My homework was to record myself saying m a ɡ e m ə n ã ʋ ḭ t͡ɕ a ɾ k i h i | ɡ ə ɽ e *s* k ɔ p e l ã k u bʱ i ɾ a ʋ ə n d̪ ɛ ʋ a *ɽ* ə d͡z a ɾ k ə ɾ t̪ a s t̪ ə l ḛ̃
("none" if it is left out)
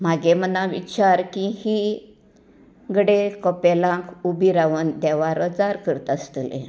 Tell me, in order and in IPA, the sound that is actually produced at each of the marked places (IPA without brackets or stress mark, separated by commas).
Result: none, ɾ